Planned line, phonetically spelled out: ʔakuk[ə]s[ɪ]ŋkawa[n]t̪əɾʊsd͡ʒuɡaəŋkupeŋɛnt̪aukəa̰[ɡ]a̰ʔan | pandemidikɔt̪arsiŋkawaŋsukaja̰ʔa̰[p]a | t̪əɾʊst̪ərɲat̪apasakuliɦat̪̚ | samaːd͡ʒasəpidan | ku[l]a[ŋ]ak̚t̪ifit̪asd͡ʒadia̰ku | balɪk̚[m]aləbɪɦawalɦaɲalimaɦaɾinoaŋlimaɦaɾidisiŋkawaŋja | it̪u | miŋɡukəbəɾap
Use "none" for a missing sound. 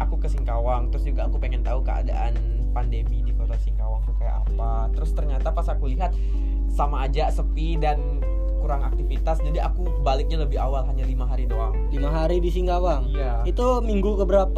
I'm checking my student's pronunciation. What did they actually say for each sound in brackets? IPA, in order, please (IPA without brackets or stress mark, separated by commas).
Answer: ə, i, ŋ, d, p, ɾ, ŋ, ɲ